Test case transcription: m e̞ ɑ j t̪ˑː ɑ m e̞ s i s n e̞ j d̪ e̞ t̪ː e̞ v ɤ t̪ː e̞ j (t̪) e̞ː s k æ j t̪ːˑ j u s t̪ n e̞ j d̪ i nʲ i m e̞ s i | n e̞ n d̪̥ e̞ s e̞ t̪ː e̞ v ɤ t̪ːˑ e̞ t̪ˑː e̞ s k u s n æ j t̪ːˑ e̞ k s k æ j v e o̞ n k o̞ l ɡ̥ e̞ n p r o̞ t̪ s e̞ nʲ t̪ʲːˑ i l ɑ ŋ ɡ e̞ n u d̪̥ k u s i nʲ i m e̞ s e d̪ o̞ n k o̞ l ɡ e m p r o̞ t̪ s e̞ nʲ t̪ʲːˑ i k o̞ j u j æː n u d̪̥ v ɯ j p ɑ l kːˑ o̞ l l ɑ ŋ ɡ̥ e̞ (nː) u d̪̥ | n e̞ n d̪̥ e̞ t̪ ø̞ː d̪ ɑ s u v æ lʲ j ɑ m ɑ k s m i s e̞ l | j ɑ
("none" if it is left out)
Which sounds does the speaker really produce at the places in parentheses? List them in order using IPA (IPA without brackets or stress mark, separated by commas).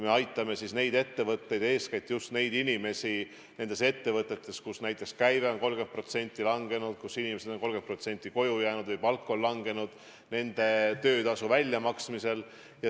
d̪, n